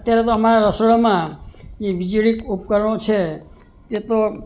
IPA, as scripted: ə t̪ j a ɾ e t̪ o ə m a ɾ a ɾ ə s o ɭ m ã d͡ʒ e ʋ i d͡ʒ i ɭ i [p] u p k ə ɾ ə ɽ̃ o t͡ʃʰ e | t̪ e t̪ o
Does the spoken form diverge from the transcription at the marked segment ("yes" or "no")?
yes